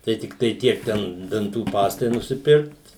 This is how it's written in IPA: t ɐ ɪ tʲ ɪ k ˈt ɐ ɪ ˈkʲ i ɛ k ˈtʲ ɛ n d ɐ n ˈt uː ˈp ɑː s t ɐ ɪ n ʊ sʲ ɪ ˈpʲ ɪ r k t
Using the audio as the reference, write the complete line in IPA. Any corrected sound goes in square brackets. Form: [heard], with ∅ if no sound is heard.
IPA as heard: t ɐ ɪ tʲ ɪ k ˈt ɐ ɪ [ˈtʲ] i ɛ k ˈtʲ ɛ n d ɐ n ˈt uː ˈp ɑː s t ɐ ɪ n ʊ sʲ ɪ ˈpʲ ɪ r k t